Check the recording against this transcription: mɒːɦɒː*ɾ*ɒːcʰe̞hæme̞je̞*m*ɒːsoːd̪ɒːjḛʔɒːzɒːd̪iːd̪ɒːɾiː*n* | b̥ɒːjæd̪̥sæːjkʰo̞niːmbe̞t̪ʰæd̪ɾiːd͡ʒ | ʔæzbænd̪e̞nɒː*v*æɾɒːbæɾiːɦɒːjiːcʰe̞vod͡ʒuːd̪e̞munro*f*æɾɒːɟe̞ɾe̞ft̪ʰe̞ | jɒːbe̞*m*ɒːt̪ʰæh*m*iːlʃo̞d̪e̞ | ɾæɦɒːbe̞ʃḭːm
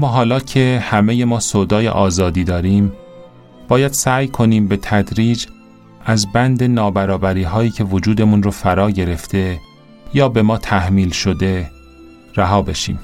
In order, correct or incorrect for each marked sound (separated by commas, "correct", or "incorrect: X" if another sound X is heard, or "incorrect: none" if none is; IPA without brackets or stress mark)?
incorrect: l, correct, incorrect: m, incorrect: b, correct, correct, correct